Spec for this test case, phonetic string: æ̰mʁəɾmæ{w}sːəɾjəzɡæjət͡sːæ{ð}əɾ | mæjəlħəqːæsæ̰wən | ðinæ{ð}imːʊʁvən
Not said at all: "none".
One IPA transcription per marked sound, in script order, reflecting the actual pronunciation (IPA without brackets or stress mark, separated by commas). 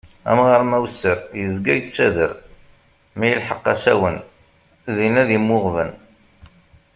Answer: w, ð, ð